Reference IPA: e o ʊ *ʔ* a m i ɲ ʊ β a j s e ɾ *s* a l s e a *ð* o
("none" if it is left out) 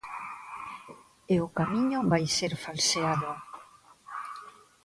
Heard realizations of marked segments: k, f, ð

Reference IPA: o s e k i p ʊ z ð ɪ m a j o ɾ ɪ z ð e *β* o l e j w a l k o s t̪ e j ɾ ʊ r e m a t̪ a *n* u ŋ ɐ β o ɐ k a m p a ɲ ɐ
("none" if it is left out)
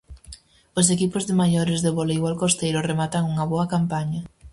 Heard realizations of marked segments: β, ŋ

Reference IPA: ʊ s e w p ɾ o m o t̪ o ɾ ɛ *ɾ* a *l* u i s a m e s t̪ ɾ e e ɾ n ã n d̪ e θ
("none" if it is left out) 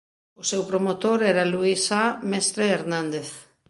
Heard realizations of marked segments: ɾ, l

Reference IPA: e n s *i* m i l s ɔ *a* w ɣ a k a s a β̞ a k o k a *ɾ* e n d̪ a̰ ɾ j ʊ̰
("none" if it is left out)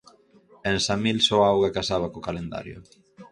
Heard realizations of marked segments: a, a, l

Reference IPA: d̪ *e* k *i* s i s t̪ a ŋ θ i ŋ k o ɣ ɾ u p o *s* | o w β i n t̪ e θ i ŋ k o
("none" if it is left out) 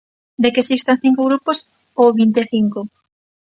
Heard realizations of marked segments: e, e, s

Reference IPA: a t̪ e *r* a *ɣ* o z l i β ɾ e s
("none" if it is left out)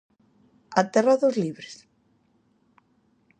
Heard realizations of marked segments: r, ð

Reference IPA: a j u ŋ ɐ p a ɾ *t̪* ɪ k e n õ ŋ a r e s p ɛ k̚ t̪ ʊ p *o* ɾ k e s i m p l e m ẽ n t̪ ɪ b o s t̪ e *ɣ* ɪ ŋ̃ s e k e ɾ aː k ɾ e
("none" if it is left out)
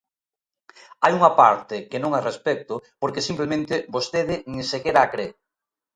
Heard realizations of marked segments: t̪, o, ð

